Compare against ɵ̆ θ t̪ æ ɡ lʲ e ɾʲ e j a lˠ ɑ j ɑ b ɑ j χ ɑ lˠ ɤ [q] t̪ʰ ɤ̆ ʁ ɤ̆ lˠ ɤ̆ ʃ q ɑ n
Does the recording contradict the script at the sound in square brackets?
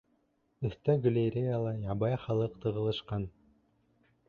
no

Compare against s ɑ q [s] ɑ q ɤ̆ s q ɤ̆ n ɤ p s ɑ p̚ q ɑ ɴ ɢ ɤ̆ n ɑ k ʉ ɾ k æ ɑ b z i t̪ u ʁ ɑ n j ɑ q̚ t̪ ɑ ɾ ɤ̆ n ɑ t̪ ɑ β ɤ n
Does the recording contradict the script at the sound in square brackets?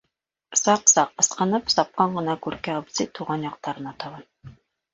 no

